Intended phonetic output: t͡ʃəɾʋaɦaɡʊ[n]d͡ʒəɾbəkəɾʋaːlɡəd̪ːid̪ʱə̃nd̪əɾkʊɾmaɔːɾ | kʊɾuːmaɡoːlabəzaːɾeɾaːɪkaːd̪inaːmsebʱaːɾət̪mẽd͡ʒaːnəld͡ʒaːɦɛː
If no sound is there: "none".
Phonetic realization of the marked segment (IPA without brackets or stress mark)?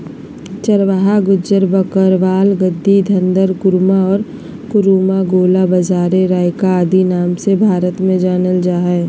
none